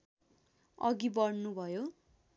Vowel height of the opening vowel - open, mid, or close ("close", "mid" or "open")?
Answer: mid